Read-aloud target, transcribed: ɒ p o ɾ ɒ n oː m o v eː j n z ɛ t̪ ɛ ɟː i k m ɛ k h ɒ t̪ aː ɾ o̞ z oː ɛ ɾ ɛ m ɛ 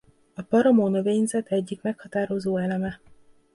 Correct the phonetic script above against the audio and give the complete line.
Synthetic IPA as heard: ɒ p ɒ ɾ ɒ m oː n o v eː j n z ɛ t̪ ɛ ɟː i k m ɛ k h ɒ t̪ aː ɾ o̞ z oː ɛ l ɛ m ɛ